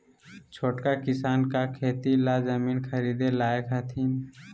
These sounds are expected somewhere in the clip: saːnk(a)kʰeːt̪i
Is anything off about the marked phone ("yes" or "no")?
no